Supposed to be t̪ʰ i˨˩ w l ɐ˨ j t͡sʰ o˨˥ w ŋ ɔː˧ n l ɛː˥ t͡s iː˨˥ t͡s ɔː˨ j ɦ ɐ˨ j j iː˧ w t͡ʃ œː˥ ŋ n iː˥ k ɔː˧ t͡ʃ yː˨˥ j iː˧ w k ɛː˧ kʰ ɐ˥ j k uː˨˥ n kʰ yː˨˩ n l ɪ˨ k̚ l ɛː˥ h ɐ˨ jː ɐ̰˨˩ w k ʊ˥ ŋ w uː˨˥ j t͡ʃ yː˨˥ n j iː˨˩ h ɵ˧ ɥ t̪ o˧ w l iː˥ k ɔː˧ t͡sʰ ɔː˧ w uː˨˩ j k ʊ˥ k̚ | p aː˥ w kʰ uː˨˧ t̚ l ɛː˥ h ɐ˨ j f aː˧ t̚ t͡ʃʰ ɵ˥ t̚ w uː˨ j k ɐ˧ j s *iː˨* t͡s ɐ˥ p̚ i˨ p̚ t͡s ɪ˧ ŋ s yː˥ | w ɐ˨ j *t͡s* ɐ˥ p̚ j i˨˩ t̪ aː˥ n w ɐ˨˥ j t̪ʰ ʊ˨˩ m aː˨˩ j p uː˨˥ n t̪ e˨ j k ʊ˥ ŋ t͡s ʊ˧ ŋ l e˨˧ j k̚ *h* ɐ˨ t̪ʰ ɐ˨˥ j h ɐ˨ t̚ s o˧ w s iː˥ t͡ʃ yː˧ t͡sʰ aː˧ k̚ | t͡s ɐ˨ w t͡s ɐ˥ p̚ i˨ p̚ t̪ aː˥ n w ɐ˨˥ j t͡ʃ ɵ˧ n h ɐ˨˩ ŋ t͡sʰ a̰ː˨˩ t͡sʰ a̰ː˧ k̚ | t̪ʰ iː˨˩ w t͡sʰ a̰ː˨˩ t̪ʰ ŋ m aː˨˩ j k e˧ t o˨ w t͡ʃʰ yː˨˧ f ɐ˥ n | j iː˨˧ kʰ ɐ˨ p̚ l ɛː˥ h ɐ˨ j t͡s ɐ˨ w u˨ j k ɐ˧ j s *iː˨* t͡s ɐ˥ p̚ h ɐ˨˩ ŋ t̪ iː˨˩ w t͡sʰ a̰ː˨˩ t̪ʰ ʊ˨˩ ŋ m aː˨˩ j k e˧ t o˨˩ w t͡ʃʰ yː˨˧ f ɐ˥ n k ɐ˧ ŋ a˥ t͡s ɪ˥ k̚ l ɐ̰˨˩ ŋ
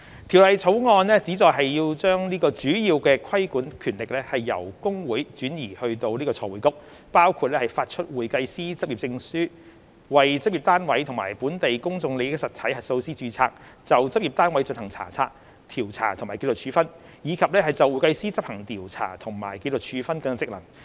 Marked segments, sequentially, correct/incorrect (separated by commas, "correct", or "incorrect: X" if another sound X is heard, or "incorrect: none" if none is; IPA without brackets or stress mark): incorrect: iː˥, correct, incorrect: s, incorrect: iː˥